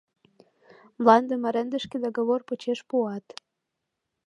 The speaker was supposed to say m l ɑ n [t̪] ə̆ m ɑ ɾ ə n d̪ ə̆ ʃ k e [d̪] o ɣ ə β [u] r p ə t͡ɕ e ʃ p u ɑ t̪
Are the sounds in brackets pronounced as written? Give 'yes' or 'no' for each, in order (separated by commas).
no, yes, no